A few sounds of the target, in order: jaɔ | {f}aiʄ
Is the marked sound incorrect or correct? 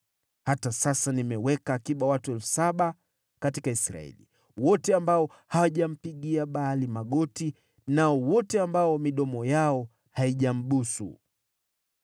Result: incorrect